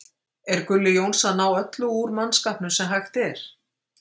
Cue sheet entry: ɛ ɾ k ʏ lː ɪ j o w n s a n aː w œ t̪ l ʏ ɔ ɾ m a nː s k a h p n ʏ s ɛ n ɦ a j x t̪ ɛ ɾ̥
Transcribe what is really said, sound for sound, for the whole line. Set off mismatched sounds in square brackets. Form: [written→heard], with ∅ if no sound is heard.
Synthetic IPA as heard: ɛ ɾ k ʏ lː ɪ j o w n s a n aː w œ t̪ l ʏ [ɔ→u] ɾ m a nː s k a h p n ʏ s ɛ [n→m] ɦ a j x t̪ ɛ ɾ̥